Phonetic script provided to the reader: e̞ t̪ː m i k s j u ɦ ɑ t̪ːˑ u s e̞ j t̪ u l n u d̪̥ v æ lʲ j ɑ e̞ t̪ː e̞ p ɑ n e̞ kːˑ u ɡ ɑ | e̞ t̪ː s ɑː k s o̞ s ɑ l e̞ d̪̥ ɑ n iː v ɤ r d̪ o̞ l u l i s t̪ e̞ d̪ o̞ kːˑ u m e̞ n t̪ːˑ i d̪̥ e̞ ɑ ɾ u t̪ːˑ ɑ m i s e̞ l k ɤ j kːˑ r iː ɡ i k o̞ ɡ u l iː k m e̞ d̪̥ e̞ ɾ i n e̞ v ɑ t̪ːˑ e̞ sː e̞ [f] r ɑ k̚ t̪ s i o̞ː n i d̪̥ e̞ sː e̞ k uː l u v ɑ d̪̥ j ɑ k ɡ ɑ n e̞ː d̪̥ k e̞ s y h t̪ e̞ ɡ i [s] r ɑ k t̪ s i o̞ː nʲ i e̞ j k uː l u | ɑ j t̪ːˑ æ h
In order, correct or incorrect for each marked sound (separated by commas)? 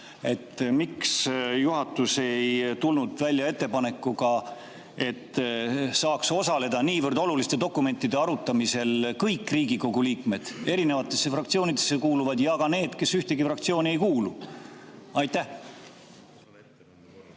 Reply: correct, incorrect